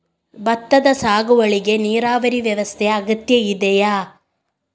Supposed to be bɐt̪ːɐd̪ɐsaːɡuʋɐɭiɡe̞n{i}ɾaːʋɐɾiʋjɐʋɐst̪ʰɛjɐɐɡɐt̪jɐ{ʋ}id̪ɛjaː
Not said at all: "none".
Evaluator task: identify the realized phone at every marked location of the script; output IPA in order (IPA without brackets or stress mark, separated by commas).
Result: iː, none